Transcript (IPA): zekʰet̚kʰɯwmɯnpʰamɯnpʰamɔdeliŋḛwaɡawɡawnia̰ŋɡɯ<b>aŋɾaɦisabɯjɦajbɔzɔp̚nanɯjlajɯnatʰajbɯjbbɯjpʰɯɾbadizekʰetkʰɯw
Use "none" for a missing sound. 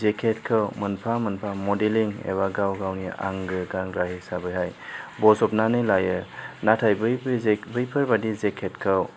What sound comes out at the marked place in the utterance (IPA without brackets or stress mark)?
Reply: ɡ